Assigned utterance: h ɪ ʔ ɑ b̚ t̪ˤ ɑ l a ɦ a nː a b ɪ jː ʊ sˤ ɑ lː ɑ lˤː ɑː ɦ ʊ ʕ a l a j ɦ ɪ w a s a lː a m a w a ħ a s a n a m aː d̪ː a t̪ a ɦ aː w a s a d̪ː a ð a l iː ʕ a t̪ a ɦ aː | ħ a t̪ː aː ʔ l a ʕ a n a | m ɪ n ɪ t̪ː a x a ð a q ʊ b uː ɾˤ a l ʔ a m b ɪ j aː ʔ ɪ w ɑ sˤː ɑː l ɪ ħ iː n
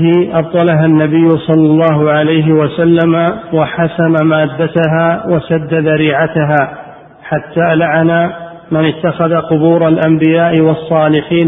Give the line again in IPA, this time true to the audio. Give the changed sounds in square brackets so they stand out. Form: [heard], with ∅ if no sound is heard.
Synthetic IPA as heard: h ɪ ʔ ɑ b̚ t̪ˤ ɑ l a ɦ a nː a b ɪ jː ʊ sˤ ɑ lː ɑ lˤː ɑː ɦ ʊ ʕ a l a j ɦ ɪ w a s a lː a m a w a ħ a s a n a m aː d̪ː a t̪ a ɦ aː w a s a d̪ː a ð a [ɾ] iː ʕ a t̪ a ɦ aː | ħ a t̪ː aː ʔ l a ʕ a n a | m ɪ n ɪ t̪ː a x a ð a q ʊ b uː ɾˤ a l ʔ a m b ɪ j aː ʔ ɪ w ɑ sˤː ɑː l ɪ ħ iː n